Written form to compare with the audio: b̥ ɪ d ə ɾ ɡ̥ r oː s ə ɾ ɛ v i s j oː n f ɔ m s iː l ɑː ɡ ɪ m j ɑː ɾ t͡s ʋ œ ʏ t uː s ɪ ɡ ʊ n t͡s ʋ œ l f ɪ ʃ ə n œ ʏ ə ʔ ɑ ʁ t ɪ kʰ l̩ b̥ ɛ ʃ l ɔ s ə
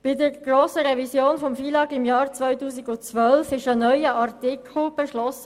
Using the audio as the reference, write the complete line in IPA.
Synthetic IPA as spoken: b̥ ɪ d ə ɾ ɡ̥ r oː s ə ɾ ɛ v i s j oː n f ɔ m f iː l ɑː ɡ ɪ m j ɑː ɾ t͡s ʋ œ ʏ t uː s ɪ ɡ ʊ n t͡s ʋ œ l f ɪ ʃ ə n œ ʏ ə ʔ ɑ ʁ t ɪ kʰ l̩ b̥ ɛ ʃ l ɔ s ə